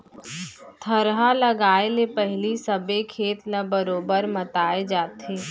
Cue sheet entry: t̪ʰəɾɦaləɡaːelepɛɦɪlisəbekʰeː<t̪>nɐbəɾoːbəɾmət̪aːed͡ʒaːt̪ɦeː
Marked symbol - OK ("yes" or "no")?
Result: yes